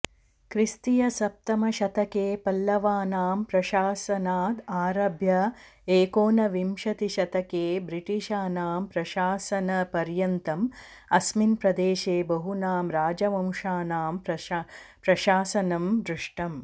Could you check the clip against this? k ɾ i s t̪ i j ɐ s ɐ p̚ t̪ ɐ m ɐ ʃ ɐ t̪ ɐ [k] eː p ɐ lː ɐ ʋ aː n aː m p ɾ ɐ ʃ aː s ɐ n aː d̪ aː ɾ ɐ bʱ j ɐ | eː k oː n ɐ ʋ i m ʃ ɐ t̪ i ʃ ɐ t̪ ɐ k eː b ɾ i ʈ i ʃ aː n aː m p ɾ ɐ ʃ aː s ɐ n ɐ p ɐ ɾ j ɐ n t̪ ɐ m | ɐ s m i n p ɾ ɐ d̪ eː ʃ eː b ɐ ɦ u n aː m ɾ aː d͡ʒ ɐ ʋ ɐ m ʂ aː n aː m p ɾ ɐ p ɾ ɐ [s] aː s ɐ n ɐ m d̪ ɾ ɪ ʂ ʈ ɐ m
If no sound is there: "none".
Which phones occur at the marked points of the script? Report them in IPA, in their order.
k, ʃ

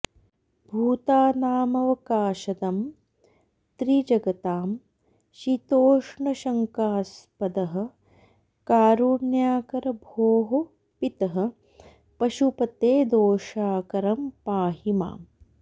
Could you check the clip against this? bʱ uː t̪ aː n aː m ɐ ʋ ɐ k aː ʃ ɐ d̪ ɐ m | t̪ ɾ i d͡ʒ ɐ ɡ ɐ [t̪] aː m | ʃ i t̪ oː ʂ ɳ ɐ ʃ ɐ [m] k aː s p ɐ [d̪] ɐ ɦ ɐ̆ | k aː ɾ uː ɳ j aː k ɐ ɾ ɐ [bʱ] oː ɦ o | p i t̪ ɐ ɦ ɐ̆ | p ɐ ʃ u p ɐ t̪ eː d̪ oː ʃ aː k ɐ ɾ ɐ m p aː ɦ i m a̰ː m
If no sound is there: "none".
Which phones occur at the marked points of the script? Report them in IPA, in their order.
t̪, ŋ, d̪, bʱ

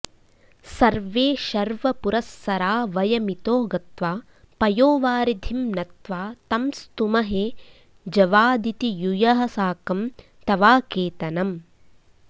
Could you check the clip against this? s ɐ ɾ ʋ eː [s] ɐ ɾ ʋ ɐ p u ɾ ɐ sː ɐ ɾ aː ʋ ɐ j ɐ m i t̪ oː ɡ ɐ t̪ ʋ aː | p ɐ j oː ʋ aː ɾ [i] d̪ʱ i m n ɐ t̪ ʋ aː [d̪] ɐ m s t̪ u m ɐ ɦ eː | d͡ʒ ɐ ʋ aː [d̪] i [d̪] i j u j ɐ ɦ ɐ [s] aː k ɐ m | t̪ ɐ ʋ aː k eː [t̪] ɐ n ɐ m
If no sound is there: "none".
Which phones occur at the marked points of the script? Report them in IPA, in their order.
ʃ, i, t̪, d̪, t̪, s, t̪

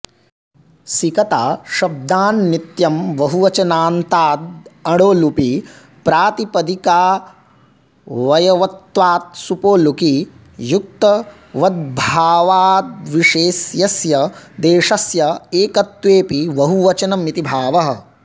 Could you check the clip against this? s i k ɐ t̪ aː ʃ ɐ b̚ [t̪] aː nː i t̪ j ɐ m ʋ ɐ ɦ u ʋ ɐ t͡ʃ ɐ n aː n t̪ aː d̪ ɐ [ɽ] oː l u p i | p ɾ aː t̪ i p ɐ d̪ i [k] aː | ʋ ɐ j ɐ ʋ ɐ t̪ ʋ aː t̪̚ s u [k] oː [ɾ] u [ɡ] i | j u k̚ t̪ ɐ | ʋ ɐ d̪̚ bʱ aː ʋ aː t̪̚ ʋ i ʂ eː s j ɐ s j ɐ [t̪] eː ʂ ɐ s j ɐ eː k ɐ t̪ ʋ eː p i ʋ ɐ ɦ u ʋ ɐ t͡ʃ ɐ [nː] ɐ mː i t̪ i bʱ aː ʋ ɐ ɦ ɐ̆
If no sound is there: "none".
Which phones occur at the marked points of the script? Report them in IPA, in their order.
d̪, ɽ, k, p, l, k, d̪, n

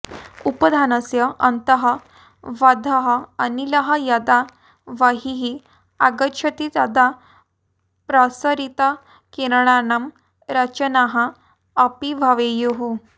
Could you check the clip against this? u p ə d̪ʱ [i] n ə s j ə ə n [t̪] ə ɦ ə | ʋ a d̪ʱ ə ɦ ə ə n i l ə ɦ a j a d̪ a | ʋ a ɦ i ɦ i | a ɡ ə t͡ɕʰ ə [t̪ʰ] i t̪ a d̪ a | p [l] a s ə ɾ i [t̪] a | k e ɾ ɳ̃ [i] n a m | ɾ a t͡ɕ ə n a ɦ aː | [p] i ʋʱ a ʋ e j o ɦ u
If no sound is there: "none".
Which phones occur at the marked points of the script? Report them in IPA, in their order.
a, t̪, t̪, ɾ, t̪, a, p

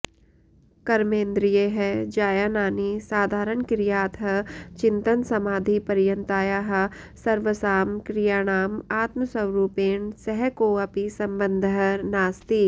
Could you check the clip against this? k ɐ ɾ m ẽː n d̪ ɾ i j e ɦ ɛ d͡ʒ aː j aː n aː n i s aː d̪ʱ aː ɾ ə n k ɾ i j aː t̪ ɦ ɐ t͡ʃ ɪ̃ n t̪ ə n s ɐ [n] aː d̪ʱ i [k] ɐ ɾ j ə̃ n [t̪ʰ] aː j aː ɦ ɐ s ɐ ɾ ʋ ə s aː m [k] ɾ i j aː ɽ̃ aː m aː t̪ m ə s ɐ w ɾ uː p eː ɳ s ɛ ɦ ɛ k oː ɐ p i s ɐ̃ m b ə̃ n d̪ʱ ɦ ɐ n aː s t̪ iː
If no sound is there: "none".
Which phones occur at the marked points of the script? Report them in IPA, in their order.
m, p, t̪, k

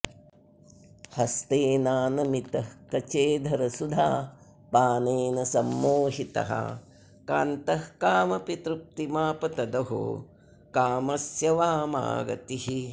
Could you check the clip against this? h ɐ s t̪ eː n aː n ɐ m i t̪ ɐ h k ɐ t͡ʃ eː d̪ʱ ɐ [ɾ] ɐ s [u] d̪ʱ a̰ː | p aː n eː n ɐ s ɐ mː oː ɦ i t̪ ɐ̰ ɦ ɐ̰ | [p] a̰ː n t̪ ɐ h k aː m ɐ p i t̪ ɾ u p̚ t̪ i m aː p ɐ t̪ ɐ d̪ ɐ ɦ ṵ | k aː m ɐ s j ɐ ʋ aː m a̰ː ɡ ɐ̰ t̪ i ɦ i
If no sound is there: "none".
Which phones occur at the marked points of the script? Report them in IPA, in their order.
ɾ, u, k

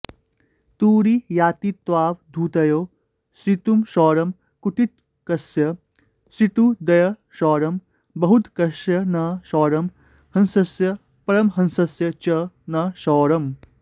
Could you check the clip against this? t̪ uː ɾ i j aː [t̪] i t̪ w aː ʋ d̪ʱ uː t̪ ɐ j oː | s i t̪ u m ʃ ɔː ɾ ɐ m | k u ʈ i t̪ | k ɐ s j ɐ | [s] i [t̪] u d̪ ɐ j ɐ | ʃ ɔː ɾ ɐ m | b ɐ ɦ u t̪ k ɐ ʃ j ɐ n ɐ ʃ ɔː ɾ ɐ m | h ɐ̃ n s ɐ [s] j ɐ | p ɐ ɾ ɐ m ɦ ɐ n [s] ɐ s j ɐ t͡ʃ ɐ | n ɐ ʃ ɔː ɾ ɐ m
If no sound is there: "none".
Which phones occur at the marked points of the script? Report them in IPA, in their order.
t̪, s, t̪, s, s

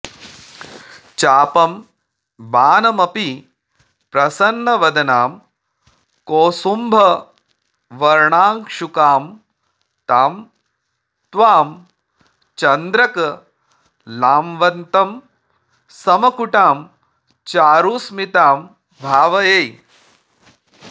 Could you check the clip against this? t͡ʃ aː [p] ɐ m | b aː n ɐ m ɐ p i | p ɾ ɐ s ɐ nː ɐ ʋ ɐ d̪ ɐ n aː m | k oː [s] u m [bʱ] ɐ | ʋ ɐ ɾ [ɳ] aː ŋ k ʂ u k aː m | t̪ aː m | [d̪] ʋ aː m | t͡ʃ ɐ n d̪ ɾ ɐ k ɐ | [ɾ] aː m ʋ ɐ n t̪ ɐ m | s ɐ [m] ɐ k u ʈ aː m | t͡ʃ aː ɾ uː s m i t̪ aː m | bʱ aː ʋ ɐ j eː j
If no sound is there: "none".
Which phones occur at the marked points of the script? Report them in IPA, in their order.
p, s, bʱ, ɳ, t̪, l, m

